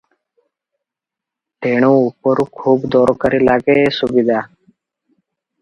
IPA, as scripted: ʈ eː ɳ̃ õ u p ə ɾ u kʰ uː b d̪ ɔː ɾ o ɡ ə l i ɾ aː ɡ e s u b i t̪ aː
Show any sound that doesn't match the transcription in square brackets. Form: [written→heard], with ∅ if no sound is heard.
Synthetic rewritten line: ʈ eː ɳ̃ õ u p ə ɾ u kʰ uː b d̪ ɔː ɾ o [ɡ→k] ə [l→ɾ] i [ɾ→l] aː ɡ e s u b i [t̪→d̪] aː